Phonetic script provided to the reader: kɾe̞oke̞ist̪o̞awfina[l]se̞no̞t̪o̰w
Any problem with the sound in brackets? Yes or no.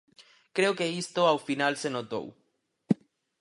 no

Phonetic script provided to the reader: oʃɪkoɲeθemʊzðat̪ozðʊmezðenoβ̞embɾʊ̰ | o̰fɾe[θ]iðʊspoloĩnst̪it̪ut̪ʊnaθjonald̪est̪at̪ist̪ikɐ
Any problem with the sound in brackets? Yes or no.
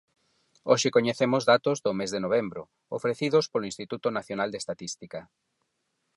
no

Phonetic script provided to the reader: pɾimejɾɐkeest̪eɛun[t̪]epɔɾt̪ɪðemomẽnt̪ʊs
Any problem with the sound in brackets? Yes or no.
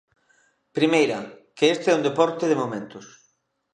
yes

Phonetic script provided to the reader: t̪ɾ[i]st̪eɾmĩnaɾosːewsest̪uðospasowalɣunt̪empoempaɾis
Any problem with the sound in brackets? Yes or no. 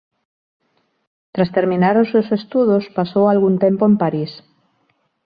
yes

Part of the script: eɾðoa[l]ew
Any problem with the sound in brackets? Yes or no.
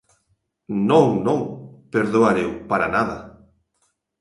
yes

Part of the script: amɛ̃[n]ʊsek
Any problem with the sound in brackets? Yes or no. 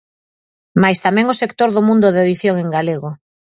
yes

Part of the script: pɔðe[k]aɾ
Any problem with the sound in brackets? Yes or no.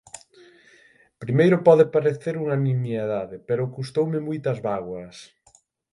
yes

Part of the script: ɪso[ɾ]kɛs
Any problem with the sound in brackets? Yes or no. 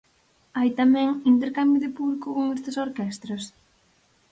no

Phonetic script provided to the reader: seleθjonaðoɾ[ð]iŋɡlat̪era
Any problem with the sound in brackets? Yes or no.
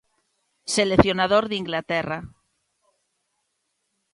no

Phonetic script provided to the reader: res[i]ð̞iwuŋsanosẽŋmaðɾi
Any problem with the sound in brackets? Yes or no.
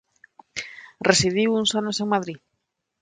no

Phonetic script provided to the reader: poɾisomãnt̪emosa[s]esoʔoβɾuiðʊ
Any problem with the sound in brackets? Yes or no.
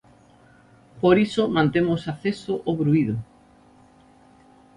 yes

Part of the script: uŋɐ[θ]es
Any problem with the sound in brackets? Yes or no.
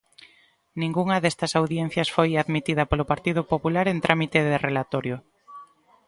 yes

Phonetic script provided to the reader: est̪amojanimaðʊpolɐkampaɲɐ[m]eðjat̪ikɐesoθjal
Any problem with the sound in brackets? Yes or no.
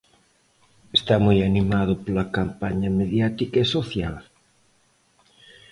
no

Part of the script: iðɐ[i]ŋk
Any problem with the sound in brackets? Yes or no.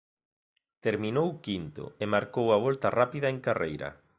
yes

